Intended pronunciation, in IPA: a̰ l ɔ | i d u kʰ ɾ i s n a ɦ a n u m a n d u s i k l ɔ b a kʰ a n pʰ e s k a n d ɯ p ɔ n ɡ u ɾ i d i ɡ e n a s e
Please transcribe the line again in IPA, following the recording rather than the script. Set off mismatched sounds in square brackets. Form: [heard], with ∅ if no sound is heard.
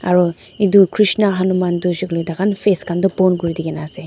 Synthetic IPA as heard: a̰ [ɾ] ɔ | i d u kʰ ɾ i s n a ɦ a n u m a n d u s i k l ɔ [d] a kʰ a n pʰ e s k a n d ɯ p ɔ n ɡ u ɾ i d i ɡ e n a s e

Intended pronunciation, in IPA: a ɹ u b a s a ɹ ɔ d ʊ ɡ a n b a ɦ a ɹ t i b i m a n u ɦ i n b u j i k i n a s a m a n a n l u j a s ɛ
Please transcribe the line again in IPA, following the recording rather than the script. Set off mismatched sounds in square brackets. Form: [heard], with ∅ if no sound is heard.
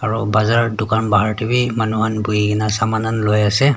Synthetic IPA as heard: a ɹ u b a [z] a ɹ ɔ d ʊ [k] a n b a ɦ a ɹ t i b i m a n u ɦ [a] n b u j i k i n a s a m a n a n l [o] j a s ɛ

